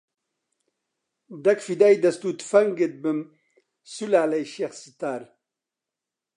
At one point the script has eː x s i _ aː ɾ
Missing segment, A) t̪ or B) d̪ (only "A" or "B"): A